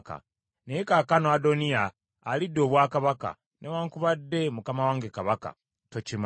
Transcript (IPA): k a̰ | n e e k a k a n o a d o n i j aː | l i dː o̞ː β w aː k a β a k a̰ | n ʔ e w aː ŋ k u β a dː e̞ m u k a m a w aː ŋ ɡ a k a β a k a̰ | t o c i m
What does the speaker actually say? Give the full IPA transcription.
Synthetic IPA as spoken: k a̰ | n e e k a k a n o a d o n i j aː | l i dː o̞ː β w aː k a β a k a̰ | n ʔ e w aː ŋ k u β a dː e̞ m u k a m a w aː ŋ ɡ e k a β a k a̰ | t o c i m